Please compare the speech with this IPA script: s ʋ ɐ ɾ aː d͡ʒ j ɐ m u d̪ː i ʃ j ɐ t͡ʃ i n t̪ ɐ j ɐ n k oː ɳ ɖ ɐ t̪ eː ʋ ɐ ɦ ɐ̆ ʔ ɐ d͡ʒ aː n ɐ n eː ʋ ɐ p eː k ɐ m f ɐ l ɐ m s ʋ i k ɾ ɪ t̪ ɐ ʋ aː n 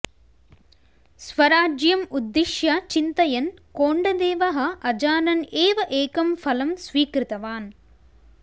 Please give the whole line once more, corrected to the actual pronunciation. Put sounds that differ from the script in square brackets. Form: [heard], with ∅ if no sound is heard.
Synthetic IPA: s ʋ ɐ ɾ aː d͡ʒ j ɐ m u d̪ː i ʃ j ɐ t͡ʃ i n t̪ ɐ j ɐ n k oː ɳ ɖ ɐ [d̪] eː ʋ ɐ ɦ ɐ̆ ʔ ɐ d͡ʒ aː n ɐ n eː ʋ ɐ [ʔ] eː k ɐ m f ɐ l ɐ m s ʋ [iː] k ɾ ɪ t̪ ɐ ʋ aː n

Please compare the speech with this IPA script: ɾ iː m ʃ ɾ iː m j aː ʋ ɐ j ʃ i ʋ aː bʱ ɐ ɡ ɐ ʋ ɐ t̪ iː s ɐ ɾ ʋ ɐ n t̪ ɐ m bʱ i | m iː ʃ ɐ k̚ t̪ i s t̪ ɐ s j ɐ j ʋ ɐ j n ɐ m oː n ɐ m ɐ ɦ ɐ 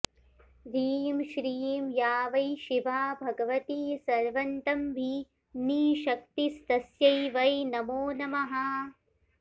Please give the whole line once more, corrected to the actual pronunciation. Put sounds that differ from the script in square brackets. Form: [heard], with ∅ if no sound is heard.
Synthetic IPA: ɾ iː m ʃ ɾ iː m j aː ʋ ɐ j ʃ i ʋ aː bʱ ɐ ɡ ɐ ʋ ɐ t̪ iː s ɐ ɾ ʋ ɐ n t̪ ɐ m bʱ i | [n] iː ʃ ɐ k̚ t̪ i s t̪ ɐ s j ɐ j ʋ ɐ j n ɐ m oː n ɐ m ɐ ɦ ɐ

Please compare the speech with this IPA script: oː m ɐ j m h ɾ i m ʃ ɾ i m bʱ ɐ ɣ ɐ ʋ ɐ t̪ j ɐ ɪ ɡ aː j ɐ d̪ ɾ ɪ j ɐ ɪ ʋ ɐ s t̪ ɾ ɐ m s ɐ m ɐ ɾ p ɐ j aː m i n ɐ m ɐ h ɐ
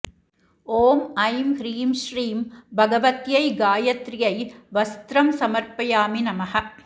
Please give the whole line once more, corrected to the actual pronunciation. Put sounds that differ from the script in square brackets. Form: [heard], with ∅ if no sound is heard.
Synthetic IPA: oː m ɐ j m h ɾ [iː] m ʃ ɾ [iː] m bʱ ɐ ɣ ɐ ʋ ɐ t̪ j ɐ ɪ ɡ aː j ɐ [t̪] ɾ ɪ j ɐ ɪ ʋ ɐ s t̪ ɾ ɐ m s ɐ m ɐ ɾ p ɐ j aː m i n ɐ m ɐ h ɐ

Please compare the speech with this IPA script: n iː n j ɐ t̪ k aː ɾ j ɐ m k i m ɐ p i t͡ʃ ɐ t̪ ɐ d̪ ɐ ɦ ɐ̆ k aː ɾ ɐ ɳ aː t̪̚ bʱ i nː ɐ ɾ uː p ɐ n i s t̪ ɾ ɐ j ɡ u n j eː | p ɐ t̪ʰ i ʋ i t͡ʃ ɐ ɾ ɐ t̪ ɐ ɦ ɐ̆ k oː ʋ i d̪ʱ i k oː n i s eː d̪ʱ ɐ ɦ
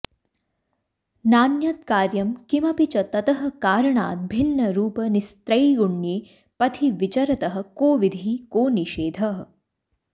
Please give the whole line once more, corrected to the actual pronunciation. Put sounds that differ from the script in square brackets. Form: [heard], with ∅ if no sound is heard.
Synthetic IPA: n [aː] n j ɐ t̪ k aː ɾ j ɐ m k i m ɐ p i t͡ʃ ɐ t̪ ɐ [t̪] ɐ ɦ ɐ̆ k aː ɾ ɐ ɳ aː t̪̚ bʱ i nː ɐ ɾ uː p ɐ n i s t̪ ɾ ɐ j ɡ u [ɳ] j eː | p ɐ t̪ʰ i ʋ i t͡ʃ ɐ ɾ ɐ t̪ ɐ ɦ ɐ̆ k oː ʋ i d̪ʱ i k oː n i [ʃ] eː d̪ʱ ɐ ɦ

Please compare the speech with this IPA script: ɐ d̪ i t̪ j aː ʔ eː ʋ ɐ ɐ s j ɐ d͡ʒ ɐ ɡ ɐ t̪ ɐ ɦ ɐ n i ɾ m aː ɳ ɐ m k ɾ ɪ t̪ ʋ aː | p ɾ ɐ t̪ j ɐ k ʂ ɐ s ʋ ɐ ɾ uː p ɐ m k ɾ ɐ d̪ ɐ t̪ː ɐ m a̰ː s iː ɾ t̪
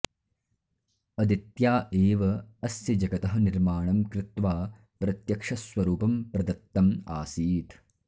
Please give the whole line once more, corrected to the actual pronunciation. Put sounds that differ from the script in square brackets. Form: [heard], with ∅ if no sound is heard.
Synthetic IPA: ɐ d̪ i t̪ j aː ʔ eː ʋ ɐ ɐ s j ɐ d͡ʒ ɐ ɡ ɐ t̪ ɐ ɦ ɐ n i ɾ m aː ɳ ɐ m k ɾ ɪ t̪ ʋ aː | p ɾ ɐ t̪ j ɐ k ʂ ɐ s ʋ ɐ ɾ uː p ɐ m [p] ɾ ɐ d̪ ɐ t̪ː ɐ m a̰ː s iː [∅] t̪

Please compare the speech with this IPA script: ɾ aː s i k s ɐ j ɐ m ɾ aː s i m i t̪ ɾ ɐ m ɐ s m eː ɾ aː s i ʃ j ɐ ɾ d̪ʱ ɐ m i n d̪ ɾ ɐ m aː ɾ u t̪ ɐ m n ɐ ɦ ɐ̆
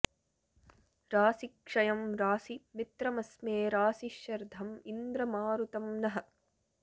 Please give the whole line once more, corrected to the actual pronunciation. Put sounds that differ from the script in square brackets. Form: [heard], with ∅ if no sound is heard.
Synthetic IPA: ɾ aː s i k [ʂ] ɐ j ɐ m ɾ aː s i m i t̪ ɾ ɐ m ɐ s m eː ɾ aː s i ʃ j ɐ ɾ d̪ʱ ɐ m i n d̪ ɾ ɐ m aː ɾ u t̪ ɐ m n ɐ ɦ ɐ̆

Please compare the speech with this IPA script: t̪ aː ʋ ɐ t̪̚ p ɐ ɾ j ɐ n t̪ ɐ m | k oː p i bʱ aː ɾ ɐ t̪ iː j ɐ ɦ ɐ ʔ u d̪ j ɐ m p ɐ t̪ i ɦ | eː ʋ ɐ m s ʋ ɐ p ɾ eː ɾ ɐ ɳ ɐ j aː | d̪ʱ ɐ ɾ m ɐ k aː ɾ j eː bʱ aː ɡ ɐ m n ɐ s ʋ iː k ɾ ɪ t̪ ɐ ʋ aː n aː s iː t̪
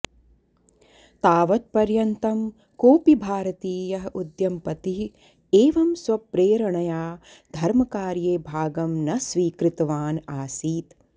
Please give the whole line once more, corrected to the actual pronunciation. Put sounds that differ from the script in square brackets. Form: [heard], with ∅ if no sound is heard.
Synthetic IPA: t̪ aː ʋ ɐ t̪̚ p ɐ ɾ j ɐ n t̪ ɐ m | k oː p i bʱ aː ɾ ɐ t̪ iː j ɐ ɦ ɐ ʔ u d̪ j ɐ m p ɐ t̪ i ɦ | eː ʋ ɐ m s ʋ ɐ p ɾ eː ɾ ɐ ɳ ɐ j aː | d̪ʱ ɐ ɾ m ɐ k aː ɾ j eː bʱ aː ɡ ɐ m n ɐ s ʋ iː k ɾ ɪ t̪ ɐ ʋ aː n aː s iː t̪

